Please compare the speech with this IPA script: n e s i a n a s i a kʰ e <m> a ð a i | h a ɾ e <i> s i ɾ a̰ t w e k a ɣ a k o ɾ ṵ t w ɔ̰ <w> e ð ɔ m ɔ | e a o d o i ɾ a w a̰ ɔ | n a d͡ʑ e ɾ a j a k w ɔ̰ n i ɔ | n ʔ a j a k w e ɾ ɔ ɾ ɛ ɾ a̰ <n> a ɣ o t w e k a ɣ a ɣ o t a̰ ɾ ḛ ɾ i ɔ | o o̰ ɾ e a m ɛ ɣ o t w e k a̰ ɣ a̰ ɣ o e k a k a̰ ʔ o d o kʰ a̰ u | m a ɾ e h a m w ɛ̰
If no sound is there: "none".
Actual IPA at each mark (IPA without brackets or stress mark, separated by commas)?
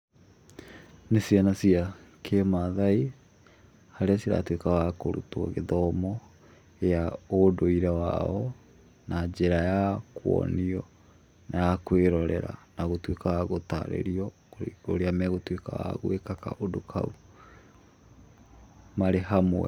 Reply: m, a, ɣ, n